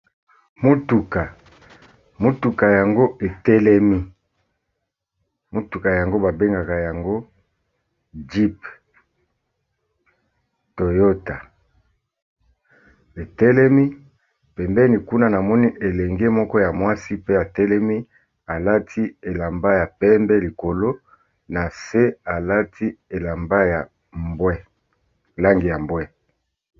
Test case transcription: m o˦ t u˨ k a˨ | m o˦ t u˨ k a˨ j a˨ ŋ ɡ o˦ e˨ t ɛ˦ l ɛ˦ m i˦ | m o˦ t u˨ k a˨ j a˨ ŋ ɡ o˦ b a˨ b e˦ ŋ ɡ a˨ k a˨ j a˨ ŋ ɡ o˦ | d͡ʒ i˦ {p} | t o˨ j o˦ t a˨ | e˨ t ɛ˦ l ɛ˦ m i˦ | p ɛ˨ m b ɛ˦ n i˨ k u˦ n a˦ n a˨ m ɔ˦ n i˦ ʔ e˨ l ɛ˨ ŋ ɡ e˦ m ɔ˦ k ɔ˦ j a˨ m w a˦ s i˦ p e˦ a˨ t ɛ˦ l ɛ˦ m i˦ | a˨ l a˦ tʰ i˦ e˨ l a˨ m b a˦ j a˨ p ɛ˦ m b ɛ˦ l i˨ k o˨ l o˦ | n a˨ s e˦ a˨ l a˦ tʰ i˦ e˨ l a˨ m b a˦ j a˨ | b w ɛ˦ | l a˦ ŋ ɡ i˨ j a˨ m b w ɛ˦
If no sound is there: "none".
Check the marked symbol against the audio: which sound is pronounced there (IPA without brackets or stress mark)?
p